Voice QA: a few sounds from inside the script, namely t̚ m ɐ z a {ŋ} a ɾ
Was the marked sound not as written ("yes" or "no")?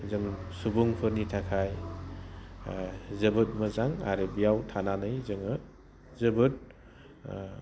no